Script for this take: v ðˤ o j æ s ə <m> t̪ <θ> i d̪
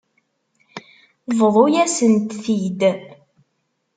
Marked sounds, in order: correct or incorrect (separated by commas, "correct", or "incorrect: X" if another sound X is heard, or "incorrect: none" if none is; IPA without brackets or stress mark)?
incorrect: n, correct